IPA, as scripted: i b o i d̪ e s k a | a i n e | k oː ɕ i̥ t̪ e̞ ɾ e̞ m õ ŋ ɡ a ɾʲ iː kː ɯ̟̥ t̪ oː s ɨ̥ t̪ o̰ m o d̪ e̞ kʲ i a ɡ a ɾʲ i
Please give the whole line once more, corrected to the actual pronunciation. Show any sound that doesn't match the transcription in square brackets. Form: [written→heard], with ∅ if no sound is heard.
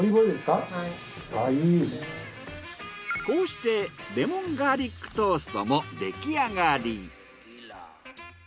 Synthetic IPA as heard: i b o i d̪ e s k a | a i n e | k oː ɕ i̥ t̪ e̞ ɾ e̞ m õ ŋ ɡ a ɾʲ [iː→i] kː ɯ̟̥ t̪ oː s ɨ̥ t̪ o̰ m o d̪ e̞ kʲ i a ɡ a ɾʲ i